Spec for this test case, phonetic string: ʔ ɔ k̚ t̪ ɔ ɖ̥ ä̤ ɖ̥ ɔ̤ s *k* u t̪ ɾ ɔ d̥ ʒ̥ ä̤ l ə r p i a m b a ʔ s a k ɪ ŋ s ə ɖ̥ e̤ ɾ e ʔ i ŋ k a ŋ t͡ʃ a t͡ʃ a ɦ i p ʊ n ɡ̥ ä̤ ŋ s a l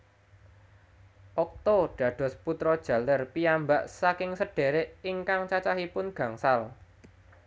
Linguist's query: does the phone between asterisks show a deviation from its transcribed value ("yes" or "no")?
yes